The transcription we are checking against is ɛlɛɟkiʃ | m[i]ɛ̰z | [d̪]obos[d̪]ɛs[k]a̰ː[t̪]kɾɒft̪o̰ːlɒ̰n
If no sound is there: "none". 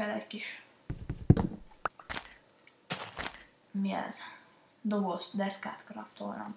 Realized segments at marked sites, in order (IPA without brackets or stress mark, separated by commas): i, d̪, d̪, k, t̪